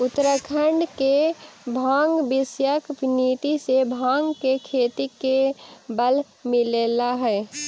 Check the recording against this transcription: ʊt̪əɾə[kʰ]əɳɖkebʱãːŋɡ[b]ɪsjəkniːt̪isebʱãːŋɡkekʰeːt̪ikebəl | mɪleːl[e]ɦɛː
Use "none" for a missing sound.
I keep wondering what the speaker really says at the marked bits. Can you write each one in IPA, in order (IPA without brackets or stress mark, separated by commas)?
kʰ, b, a